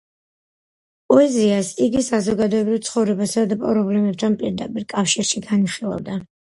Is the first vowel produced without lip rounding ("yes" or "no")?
no